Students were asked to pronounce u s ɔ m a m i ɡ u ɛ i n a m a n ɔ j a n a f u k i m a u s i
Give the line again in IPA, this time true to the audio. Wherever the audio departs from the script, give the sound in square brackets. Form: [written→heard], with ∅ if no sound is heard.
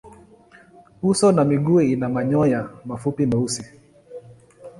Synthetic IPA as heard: u s ɔ [m→n] a m i ɡ u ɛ i n a m a [n→ɲ] ɔ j a [n→m] a f u [k→p] i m a u s i